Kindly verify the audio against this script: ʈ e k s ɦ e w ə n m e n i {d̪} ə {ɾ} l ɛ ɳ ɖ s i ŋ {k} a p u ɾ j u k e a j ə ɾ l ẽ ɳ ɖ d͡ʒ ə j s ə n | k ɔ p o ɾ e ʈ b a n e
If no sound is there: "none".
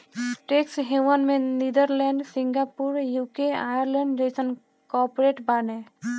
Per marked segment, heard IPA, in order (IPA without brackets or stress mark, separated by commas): d̪, ɾ, ɡ